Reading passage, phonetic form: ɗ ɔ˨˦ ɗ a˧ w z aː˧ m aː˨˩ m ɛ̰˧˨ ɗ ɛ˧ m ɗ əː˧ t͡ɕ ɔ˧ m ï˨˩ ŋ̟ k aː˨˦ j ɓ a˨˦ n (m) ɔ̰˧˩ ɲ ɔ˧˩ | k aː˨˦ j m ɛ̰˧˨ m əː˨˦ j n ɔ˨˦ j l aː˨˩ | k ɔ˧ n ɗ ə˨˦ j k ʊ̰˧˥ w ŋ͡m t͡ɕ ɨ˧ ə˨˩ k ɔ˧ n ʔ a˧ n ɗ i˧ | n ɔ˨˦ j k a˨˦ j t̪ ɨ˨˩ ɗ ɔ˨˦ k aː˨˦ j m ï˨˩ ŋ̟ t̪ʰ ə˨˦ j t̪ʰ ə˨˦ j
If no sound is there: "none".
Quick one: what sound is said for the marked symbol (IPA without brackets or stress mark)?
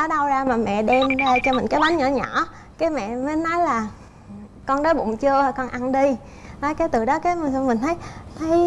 ɲ